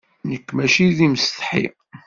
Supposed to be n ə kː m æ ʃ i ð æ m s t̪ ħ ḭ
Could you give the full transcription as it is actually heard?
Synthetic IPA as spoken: n ə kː m æ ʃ i ð i m s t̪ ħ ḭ